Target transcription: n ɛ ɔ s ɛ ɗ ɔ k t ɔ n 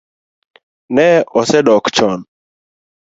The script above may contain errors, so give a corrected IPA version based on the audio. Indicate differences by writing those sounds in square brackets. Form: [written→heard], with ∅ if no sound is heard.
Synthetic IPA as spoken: n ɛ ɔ s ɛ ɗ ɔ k [t→t͡ʃ] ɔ n